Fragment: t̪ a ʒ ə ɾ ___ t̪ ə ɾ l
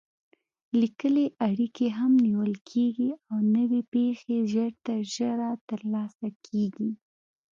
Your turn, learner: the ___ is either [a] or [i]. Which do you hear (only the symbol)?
a